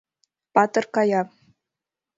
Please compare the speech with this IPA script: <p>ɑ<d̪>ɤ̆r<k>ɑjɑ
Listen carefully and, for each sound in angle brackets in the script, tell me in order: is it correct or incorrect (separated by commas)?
correct, incorrect, correct